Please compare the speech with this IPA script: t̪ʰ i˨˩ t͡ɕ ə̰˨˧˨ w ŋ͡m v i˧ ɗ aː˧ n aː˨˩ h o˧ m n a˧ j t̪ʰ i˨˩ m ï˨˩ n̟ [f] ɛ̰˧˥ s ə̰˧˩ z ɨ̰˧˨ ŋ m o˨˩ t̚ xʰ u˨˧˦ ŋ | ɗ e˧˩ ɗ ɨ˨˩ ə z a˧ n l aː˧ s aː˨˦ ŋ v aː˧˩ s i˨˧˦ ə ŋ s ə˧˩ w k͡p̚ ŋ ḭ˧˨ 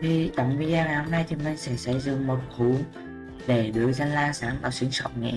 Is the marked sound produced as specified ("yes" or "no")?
no